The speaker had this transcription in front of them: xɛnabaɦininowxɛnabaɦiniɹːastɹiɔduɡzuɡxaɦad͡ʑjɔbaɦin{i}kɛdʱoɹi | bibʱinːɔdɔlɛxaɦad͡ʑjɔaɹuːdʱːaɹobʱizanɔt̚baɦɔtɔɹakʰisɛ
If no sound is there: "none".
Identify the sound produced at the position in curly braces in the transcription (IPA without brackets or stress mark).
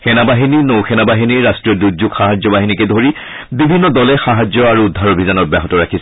i